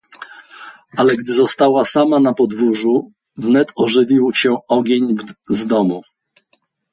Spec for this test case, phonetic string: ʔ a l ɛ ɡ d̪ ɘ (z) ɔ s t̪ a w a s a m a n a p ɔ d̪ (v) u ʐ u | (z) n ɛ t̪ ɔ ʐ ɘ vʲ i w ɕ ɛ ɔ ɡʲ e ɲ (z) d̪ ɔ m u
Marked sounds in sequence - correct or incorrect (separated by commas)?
correct, correct, incorrect, correct